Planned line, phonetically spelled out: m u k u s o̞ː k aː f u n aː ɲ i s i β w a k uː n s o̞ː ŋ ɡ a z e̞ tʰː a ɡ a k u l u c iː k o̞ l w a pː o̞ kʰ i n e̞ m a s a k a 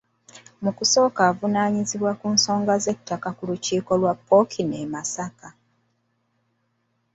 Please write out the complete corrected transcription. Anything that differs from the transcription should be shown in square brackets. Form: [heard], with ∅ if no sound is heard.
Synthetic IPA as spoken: m u k u s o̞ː k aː [v] u n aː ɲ i [z] i β w a k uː n s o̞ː ŋ ɡ a z e̞ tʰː a [k] a k u l u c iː k o̞ l w a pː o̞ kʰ i n e̞ m a s a k a